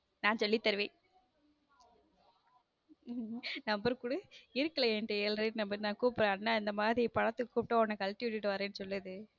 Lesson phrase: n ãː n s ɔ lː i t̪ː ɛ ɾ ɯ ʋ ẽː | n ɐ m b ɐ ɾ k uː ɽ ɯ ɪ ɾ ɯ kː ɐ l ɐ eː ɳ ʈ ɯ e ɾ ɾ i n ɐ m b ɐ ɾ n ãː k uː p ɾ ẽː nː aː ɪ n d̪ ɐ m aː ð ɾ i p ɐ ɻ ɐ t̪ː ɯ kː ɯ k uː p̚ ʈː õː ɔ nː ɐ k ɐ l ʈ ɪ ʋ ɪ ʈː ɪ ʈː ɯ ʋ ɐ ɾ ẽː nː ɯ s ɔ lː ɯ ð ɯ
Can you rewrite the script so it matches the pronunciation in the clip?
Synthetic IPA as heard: n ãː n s ɔ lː i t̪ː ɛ ɾ ɯ ʋ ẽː | n ɐ m b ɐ ɾ k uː ɽ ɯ ɪ ɾ ɯ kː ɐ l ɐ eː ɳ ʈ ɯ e l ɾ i n ɐ m b ɐ ɾ n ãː k uː p ɾ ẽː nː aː ɪ n d̪ ɐ m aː ð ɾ i p ɐ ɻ ɐ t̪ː ɯ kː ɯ k uː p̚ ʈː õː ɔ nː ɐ k ɐ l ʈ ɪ ʋ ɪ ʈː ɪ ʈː ɯ ʋ ɐ ɾ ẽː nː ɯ s ɔ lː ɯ ð ɯ

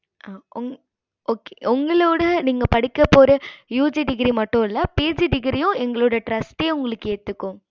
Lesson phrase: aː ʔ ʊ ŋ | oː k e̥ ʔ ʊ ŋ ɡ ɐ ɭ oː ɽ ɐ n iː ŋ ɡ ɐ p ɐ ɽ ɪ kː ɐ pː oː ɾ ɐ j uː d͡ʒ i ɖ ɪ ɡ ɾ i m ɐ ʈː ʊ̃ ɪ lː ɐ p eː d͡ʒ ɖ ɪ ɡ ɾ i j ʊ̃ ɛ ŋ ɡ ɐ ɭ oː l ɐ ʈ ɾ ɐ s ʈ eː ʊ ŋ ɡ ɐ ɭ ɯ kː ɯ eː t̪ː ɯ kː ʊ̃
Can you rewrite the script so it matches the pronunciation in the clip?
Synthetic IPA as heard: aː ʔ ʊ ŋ | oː k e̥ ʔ ʊ ŋ ɡ ɐ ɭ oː ɽ ɐ n iː ŋ ɡ ɐ p ɐ ɽ ɪ kː ɐ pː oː ɾ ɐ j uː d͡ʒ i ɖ ɪ ɡ ɾ i m ɐ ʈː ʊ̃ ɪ lː ɐ p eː d͡ʒ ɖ ɪ ɡ ɾ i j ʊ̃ ɛ ŋ ɡ ɐ ɭ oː ɽ ɐ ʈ ɾ ɐ s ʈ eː ʊ ŋ ɡ ɐ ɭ ɯ kː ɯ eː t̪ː ɯ kː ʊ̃

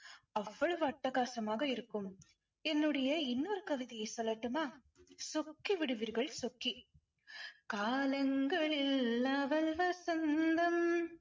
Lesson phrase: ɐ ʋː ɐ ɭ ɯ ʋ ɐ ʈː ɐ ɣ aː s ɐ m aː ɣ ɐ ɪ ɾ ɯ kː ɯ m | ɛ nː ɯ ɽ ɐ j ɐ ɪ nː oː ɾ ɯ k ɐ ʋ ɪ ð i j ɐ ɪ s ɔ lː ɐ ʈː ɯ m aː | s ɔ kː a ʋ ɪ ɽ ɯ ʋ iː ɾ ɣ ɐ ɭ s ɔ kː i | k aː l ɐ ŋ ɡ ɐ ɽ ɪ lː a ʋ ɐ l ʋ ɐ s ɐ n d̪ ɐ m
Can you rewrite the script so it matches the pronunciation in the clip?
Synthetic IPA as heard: ɐ ʋː ɐ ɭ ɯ ʋ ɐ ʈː ɐ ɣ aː s ɐ m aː ɣ ɐ ɪ ɾ ɯ kː ɯ m | ɛ nː ɯ ɽ ɐ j ɐ ɪ nː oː ɾ ɯ k ɐ ʋ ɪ ð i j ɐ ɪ s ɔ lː ɐ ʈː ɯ m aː | s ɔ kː i ʋ ɪ ɽ ɯ ʋ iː ɾ ɣ ɐ ɭ s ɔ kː i | k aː l ɐ ŋ ɡ ɐ ɭ ɪ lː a ʋ ɐ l ʋ ɐ s ɐ n d̪ ɐ m

